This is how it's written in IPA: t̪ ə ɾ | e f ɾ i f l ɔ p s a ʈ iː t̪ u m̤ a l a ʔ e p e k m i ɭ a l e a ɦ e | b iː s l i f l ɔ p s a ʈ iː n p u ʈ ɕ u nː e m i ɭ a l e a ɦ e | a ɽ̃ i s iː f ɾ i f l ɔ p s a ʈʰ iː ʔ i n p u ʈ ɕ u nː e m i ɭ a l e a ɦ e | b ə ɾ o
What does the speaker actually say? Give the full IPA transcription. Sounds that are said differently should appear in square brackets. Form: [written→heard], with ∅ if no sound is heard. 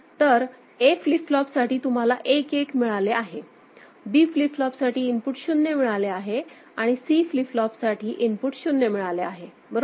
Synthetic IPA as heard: t̪ ə ɾ | e f [ɾ→l] i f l ɔ p s a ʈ iː t̪ u m̤ a l a ʔ e [p→k] e k m i ɭ a l e a ɦ e | b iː [s→f] l i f l ɔ p s a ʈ iː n p u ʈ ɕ u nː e m i ɭ a l e a ɦ e | a ɽ̃ i s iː f [ɾ→l] i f l ɔ p s a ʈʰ iː ʔ i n p u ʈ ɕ u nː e m i ɭ a l e a ɦ e | b ə ɾ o

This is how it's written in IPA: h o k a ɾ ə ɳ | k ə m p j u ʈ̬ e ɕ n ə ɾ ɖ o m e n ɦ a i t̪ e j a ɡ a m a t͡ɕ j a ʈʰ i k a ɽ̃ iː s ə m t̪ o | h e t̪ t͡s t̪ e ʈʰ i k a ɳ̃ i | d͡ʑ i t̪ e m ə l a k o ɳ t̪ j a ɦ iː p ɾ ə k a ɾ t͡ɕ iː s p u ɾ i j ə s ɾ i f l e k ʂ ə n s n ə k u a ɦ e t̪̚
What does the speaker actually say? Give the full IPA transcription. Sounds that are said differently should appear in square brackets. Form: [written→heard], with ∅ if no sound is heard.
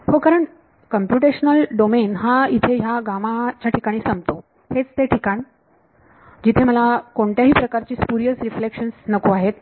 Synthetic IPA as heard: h o k a ɾ ə ɳ | k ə m p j u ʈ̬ e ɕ n ə [ɾ→l] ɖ o m e n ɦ a i [t̪→t̪ʰ] e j a ɡ a m a t͡ɕ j a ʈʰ i k a ɽ̃ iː s ə m t̪ o | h e [t̪→∅] t͡s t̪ e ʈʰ i k a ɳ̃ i | d͡ʑ i [t̪→t̪ʰ] e m ə l a k o ɳ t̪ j a ɦ iː p ɾ ə k a ɾ t͡ɕ iː s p u ɾ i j ə s ɾ i f l e k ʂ ə n s n ə k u a ɦ e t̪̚

